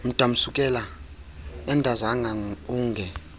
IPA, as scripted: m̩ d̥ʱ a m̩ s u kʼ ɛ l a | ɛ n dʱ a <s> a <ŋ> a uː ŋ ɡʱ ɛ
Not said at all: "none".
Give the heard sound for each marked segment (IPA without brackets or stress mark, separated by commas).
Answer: z, ŋ